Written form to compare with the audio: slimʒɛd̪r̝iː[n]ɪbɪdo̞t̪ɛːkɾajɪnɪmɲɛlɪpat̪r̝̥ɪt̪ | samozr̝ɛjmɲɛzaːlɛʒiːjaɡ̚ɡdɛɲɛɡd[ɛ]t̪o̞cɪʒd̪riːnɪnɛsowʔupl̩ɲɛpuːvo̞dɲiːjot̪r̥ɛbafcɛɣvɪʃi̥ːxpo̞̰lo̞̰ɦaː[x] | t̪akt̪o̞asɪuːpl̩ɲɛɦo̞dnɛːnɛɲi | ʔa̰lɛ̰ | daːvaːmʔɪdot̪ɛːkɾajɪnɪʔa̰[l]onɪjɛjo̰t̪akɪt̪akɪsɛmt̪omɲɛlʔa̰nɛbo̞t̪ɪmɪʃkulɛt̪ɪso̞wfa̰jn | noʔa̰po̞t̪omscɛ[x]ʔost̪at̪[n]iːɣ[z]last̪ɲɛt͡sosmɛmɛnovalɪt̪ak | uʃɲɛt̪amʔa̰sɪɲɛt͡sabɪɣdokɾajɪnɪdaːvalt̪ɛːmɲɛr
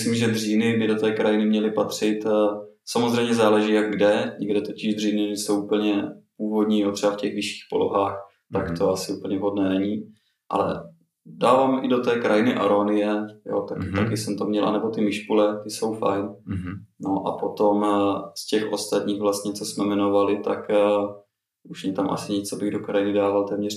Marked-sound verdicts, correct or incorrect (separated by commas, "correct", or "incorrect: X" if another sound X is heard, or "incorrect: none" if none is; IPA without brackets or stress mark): correct, correct, correct, incorrect: ɾ, correct, incorrect: ɲ, incorrect: v